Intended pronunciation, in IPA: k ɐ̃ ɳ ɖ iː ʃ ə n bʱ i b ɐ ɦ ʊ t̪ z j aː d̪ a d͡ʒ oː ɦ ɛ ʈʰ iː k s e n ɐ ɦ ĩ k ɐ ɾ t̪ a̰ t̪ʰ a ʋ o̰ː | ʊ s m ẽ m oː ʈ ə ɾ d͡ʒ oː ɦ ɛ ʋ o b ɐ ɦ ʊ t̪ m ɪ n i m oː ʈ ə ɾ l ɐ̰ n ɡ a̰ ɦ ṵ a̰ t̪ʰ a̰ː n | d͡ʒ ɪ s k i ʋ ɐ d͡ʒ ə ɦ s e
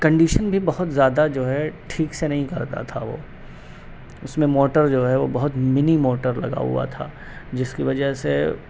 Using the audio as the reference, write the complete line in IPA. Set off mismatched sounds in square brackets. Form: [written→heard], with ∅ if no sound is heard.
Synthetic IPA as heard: k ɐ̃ ɳ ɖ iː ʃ ə n bʱ i b ɐ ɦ ʊ t̪ z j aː d̪ a d͡ʒ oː ɦ ɛ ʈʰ iː k s e n ɐ ɦ ĩ k ɐ ɾ t̪ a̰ t̪ʰ a ʋ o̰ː | ʊ s m ẽ m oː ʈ ə ɾ d͡ʒ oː ɦ ɛ ʋ o b ɐ ɦ ʊ t̪ m ɪ n i m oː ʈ ə ɾ l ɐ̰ [n→∅] ɡ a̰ ɦ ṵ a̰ t̪ʰ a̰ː [n→∅] | d͡ʒ ɪ s k i ʋ ɐ d͡ʒ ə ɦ s e